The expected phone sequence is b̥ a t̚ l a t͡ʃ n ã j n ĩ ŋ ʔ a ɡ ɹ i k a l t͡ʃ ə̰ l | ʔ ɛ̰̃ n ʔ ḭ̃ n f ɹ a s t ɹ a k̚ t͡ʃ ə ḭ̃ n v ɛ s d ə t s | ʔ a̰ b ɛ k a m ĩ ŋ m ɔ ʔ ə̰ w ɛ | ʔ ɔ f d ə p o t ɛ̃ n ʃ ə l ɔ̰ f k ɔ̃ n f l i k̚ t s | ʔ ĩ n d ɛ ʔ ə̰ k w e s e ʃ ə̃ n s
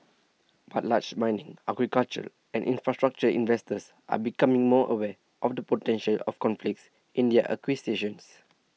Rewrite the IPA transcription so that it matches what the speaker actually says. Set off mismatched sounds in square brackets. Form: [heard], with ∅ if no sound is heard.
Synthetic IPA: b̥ a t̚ l a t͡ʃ [m] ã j n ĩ ŋ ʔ a ɡ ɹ i k a l t͡ʃ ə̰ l | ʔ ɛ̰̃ n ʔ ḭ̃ n f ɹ a s t ɹ a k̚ t͡ʃ ə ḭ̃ n v ɛ s [t] ə [∅] s | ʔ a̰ b [i] k a m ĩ ŋ m ɔ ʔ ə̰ w ɛ | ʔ ɔ f d ə p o t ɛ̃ n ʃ ə l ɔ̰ f k ɔ̃ n f l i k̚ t s | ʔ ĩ n d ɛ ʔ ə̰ k w [i] s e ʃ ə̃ n s